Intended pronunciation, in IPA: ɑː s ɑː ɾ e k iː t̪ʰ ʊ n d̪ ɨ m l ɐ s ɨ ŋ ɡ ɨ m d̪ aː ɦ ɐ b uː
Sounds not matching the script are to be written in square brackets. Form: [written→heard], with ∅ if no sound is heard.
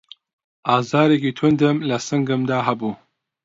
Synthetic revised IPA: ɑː [s→z] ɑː ɾ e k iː t̪ʰ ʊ n d̪ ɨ m l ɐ s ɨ ŋ ɡ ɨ m d̪ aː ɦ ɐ b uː